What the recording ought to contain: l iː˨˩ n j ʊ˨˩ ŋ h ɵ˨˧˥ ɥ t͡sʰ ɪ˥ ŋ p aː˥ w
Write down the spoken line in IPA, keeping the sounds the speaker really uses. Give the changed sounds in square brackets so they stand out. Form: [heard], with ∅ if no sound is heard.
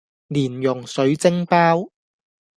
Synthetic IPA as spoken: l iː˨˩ n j ʊ˨˩ ŋ [s] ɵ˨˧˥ ɥ [t͡s] ɪ˥ ŋ p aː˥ w